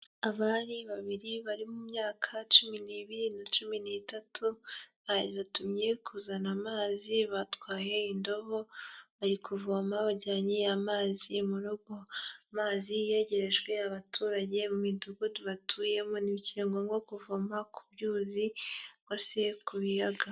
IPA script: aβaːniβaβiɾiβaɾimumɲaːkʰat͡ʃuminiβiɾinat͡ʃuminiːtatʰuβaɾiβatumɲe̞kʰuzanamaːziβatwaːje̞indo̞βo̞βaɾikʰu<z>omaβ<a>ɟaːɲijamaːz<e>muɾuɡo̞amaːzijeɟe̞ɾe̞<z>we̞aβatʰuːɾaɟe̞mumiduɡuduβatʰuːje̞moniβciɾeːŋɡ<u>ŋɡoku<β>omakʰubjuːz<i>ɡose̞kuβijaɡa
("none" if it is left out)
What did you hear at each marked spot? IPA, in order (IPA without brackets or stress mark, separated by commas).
v, a, i, ʒ, o, v, i